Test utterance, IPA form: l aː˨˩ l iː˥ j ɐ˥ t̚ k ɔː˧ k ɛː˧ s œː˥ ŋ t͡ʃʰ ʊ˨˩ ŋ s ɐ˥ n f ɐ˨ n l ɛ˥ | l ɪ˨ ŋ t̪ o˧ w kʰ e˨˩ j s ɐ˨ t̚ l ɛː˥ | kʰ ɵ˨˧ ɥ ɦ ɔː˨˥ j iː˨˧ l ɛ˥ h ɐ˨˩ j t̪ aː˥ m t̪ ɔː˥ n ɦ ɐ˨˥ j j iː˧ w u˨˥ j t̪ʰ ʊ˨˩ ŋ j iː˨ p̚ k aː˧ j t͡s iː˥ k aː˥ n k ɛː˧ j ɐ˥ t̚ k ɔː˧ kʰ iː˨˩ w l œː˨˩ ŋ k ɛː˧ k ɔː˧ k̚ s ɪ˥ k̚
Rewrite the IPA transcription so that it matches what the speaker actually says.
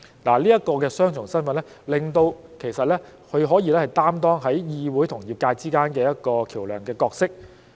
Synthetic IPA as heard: l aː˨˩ l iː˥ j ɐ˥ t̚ k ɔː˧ k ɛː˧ s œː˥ ŋ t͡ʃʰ ʊ˨˩ ŋ s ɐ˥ n f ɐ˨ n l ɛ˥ | l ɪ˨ ŋ t̪ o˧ w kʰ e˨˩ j s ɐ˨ t̚ l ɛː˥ | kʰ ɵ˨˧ ɥ ɦ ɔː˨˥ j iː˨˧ l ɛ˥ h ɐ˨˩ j t̪ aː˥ m t̪ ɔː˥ ŋ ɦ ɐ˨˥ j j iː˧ w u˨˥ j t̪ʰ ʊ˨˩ ŋ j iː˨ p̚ k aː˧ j t͡s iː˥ k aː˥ n k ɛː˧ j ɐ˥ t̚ k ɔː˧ kʰ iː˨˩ w l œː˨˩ ŋ k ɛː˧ k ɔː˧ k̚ s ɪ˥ k̚